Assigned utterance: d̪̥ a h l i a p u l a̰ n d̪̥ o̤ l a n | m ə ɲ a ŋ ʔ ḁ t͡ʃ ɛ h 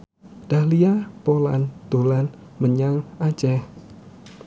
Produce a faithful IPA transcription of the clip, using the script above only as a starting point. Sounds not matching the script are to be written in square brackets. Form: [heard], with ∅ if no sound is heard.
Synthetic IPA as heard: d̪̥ a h l i a p [o] l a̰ n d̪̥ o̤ l a n | m ə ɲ a ŋ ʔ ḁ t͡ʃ ɛ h

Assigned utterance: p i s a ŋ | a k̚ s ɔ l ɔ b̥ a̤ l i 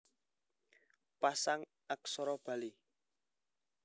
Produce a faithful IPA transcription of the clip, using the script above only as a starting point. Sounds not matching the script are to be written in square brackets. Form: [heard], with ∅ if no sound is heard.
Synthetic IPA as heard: p [a] s a ŋ | a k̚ s ɔ [ɾ] ɔ b̥ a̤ l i

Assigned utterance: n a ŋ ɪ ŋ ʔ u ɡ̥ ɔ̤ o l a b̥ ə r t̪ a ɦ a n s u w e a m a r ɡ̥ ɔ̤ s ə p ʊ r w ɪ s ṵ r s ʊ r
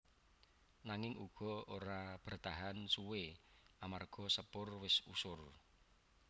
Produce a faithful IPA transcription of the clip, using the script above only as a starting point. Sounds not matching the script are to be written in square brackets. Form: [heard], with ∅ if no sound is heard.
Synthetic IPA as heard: n a ŋ ɪ ŋ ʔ u ɡ̥ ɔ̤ o [ɾ] a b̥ ə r t̪ a ɦ a n s u w e a m a r ɡ̥ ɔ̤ s ə p ʊ r w ɪ s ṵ [∅] s ʊ r

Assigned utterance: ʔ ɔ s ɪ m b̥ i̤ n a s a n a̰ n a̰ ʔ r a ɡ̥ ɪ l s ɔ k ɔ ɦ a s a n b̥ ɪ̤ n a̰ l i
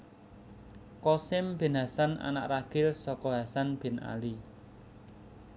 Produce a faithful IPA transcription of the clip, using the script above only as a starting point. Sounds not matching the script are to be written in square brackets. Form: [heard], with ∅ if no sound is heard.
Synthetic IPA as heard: [k] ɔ s ɪ m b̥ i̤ n a s a n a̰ n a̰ ʔ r a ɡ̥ ɪ l s ɔ k ɔ ɦ a s a n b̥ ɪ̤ n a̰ l i

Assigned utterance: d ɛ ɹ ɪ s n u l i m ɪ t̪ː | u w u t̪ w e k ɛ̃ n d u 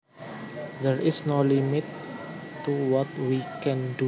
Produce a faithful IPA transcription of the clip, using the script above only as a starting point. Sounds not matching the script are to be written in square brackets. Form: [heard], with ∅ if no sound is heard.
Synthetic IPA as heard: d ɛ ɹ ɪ s n [o] l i m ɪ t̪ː | u w [ɔ] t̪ w [i] k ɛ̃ n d u

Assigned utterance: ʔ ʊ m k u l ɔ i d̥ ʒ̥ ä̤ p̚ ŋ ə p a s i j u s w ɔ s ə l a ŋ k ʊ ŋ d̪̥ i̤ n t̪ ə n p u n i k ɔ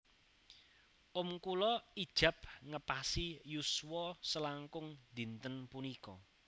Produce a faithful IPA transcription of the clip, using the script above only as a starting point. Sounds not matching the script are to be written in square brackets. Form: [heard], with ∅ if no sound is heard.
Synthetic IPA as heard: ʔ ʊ m k u l ɔ i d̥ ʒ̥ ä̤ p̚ ŋ ə p a s i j u s w ɔ s ə l a ŋ k ʊ ŋ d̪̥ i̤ n t̪ ə n p u n i k ɔ

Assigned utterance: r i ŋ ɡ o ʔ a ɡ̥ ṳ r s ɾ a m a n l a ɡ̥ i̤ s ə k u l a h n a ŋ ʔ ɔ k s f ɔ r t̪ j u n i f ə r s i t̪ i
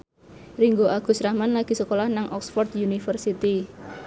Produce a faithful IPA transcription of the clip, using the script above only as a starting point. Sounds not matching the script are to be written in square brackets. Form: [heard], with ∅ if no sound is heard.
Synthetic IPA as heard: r i ŋ ɡ o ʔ a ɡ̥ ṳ [∅] s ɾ a m a n l a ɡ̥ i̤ s ə k [o] l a h n a ŋ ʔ ɔ k s f ɔ r t̪ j u n i f ə r s i t̪ i

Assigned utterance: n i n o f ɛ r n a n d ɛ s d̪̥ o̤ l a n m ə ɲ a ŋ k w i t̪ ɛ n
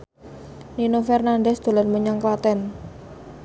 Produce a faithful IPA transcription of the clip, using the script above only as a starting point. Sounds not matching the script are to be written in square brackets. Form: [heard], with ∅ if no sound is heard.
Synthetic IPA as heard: n i n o f ɛ r n a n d ɛ s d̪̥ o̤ l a n m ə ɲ a ŋ k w [a] t̪ ɛ n

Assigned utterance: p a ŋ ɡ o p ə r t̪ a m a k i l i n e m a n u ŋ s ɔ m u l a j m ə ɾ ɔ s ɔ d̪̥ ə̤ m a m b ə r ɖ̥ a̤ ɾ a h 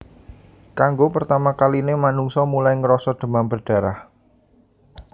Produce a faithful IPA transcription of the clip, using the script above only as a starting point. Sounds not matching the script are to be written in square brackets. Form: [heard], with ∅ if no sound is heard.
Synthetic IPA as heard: [k] a ŋ ɡ o p ə r t̪ a m a k [a] l i n e m a n u ŋ s ɔ m u l a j [ŋ] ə ɾ ɔ s ɔ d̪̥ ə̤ m a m b ə r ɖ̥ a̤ ɾ a h

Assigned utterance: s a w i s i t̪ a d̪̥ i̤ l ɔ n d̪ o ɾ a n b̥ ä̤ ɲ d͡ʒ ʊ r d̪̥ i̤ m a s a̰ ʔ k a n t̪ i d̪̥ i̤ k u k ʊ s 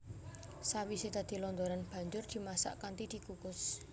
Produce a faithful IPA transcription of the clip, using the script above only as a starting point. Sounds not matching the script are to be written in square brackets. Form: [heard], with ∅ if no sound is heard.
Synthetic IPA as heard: s a w i s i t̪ a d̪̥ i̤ l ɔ n d̪ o ɾ a n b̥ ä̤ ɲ d͡ʒ ʊ r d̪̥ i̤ m a s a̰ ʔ k a n t̪ i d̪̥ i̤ k u k ʊ s

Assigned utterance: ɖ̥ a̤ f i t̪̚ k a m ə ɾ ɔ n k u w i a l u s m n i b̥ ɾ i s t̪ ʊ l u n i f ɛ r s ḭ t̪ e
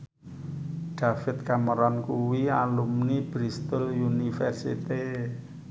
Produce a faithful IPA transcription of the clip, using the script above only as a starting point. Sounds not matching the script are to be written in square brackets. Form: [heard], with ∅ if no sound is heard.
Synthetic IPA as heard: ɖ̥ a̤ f [ɪ] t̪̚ k a m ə ɾ ɔ n k u w i a l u [∅] m n i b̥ ɾ i s t̪ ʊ l u n i f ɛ r s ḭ t̪ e

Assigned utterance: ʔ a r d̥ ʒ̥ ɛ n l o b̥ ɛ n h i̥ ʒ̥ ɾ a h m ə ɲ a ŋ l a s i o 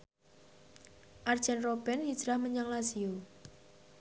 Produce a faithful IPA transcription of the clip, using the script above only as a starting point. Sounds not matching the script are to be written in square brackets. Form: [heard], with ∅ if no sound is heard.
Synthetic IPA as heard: ʔ a r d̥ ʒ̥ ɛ n [r] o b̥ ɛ n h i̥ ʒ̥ ɾ a h m ə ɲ a ŋ l a s i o

